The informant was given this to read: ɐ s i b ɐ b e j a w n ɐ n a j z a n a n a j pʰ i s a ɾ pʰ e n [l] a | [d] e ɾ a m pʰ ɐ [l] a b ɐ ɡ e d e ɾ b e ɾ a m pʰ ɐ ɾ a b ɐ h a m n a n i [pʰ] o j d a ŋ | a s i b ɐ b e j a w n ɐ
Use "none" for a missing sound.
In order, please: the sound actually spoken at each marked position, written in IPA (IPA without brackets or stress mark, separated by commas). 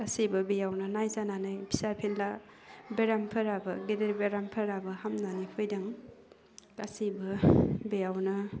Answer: l, b, ɾ, pʰ